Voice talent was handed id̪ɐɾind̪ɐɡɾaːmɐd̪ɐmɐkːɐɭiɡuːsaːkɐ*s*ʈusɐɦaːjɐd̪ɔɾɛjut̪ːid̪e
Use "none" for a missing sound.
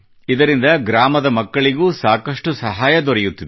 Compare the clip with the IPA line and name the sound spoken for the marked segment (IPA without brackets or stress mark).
ʂ